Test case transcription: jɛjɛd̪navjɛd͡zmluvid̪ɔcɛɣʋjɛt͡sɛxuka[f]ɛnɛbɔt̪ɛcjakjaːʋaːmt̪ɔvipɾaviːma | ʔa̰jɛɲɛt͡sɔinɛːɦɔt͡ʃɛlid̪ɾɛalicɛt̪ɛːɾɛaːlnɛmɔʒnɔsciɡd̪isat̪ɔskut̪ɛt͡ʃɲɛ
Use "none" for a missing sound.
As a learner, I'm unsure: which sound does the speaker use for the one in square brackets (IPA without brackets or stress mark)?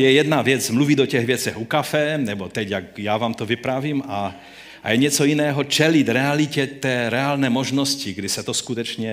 f